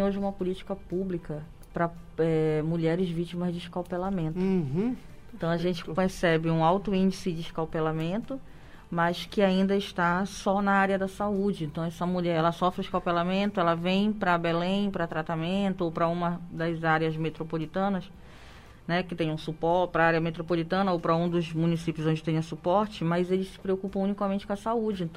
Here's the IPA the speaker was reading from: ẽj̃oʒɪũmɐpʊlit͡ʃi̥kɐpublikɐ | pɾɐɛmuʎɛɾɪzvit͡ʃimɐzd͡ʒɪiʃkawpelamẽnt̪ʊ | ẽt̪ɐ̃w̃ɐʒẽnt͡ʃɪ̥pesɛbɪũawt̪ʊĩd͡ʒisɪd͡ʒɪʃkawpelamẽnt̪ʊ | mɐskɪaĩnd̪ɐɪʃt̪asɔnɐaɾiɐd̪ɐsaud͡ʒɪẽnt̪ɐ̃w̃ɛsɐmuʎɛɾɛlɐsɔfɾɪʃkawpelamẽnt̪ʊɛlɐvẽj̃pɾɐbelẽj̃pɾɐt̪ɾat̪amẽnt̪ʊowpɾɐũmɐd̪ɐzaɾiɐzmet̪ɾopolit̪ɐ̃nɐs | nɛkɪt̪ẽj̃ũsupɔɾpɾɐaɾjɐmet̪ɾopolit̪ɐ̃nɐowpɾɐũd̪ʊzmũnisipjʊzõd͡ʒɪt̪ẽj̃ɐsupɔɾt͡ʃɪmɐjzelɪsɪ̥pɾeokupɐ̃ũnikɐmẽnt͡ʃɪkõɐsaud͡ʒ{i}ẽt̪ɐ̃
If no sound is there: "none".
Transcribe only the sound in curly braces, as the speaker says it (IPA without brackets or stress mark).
ɪ